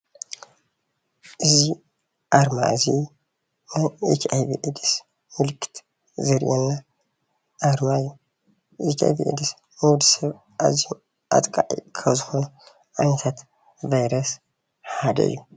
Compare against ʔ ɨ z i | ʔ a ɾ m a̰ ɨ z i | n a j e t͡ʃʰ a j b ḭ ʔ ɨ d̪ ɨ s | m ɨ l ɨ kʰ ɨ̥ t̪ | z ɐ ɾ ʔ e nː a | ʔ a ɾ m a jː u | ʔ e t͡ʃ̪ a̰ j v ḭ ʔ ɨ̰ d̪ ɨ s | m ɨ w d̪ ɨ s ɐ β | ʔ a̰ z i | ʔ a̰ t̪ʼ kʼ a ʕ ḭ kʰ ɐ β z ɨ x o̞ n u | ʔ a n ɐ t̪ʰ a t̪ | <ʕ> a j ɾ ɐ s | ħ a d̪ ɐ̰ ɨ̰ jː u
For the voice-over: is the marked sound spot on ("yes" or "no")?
no